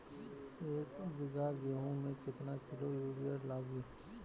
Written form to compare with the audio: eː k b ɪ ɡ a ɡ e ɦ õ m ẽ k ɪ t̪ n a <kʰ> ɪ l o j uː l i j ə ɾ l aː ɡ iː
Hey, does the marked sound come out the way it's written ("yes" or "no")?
no